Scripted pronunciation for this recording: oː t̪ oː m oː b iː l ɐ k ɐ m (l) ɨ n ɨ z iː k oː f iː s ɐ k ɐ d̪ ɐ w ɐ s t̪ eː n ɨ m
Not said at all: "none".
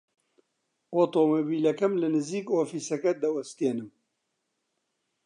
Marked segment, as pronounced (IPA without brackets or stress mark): l